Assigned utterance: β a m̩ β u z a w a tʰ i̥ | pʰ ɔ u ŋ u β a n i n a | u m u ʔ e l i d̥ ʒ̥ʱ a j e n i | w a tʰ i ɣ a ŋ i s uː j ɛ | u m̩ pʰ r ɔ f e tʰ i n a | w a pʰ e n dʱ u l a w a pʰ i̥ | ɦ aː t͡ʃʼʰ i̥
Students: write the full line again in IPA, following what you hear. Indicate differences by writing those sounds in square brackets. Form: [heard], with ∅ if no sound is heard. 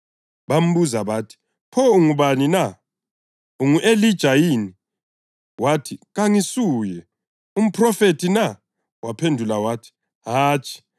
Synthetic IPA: β a m̩ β u z a [β] a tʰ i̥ | pʰ ɔ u ŋ u β a n i n a | u [ŋ] u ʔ e l i d̥ ʒ̥ʱ a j [i] n i | w a tʰ i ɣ a ŋ i s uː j ɛ | u m̩ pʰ r ɔ f e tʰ i n a | w a pʰ e n dʱ u l a w a [tʰ] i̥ | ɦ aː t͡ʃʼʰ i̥